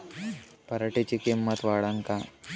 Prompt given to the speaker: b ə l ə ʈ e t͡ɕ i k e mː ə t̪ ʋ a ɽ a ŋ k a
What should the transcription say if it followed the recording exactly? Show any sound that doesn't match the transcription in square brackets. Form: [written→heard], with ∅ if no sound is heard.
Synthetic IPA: [b→p] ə [l→ɾ] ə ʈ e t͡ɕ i k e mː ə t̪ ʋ a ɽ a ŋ k a